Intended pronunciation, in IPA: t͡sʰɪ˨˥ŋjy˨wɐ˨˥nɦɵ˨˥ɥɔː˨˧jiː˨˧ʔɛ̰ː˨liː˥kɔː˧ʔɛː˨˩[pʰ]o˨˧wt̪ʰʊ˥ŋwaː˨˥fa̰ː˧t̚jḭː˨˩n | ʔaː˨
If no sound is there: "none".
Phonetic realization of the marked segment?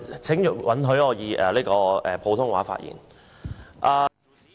pʰ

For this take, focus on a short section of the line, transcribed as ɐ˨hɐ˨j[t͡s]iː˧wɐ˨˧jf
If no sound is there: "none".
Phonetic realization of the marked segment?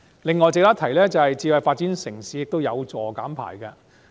t͡s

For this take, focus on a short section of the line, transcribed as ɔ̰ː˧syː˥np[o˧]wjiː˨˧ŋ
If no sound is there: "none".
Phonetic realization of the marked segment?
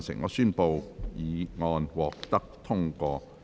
o˧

